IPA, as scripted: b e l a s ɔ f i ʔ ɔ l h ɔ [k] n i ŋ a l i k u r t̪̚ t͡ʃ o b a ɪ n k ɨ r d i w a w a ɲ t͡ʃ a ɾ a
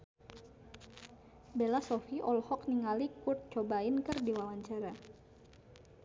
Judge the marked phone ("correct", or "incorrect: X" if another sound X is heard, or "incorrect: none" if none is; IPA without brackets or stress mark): correct